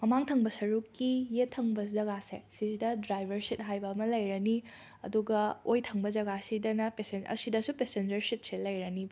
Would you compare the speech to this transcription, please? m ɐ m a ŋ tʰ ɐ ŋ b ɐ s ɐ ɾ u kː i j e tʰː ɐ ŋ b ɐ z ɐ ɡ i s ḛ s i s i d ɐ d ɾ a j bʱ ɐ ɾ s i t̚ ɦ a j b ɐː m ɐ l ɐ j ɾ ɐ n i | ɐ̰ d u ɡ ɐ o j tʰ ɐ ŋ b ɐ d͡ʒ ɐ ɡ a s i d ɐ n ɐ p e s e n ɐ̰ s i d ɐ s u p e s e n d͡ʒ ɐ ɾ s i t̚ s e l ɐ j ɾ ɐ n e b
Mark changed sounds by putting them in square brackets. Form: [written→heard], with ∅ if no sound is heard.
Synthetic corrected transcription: m ɐ m a ŋ tʰ ɐ ŋ b ɐ s ɐ ɾ u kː i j e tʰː ɐ ŋ b ɐ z ɐ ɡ [i→a] s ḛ s i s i d ɐ d ɾ a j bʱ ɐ ɾ s i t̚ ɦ a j b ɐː m ɐ l ɐ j ɾ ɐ n i | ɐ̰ d u ɡ ɐ o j tʰ ɐ ŋ b ɐ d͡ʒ ɐ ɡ a s i d ɐ n ɐ p e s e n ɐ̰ s i d ɐ s u p e s e n d͡ʒ ɐ ɾ s i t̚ s e l ɐ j ɾ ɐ n [e→i] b